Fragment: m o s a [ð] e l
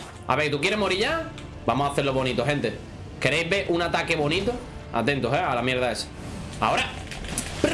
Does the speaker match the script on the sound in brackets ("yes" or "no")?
no